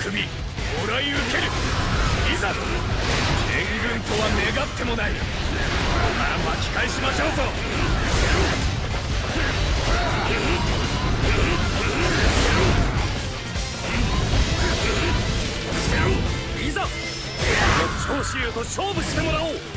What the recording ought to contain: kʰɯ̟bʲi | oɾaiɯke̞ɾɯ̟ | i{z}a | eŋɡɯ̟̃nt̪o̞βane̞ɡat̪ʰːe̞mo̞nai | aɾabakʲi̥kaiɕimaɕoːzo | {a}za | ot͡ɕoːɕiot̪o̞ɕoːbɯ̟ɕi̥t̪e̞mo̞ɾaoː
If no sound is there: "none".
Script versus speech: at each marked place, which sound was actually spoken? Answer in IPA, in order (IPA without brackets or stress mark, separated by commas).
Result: z, i